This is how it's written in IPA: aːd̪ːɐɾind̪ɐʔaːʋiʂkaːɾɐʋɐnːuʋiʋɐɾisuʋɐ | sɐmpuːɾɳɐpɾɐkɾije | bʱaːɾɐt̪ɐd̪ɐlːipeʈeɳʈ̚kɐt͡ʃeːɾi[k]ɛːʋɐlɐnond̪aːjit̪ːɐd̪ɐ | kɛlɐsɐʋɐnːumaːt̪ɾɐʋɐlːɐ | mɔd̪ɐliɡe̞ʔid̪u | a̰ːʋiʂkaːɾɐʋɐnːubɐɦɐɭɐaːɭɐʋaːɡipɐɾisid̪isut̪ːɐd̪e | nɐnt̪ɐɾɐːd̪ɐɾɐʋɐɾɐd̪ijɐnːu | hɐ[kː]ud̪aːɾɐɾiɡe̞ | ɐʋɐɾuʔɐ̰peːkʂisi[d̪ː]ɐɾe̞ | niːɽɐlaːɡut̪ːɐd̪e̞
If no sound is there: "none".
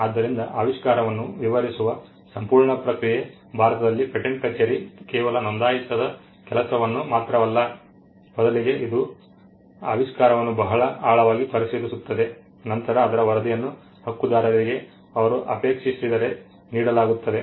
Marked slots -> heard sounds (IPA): k, kː, d̪

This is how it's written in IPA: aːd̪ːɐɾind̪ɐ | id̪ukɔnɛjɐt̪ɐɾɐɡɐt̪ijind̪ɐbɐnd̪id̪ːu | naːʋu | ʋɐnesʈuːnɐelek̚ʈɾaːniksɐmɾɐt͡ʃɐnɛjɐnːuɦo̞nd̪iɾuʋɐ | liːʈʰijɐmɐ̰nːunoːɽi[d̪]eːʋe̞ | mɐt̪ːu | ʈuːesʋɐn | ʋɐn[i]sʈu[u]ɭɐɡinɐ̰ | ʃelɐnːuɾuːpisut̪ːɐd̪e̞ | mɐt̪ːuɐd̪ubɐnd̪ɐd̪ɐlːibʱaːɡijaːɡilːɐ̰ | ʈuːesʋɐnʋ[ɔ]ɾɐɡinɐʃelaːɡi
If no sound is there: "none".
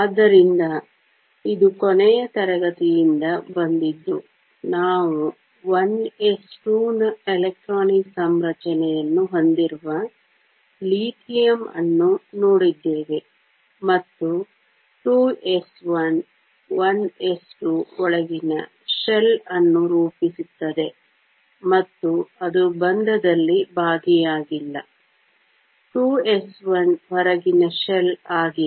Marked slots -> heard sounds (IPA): d̪ː, e, ɔ, ɔ

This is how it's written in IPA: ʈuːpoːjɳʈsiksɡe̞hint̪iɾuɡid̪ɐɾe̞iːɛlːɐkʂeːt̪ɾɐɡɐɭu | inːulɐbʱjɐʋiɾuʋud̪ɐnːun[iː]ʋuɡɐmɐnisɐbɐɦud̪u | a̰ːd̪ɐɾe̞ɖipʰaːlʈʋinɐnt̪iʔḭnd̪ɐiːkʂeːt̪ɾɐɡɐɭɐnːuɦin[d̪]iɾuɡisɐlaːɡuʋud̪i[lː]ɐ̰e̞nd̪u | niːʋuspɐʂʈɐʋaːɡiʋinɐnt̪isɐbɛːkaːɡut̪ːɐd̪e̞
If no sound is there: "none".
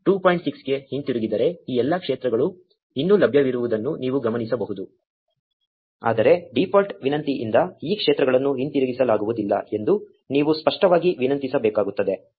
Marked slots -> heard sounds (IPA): iː, t̪, lː

